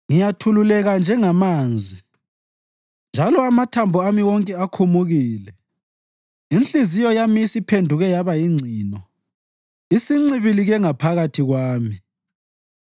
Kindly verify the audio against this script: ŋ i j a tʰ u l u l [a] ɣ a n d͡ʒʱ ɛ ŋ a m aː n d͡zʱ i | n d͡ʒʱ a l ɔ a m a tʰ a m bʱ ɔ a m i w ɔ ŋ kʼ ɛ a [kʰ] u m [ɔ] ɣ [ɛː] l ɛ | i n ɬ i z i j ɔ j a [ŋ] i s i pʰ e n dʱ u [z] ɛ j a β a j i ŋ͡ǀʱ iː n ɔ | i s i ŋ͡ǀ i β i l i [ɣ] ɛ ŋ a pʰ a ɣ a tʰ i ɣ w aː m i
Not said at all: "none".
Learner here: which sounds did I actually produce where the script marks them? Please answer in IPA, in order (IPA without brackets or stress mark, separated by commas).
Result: ɛ, kʰ, u, iː, m, ɣ, ɣ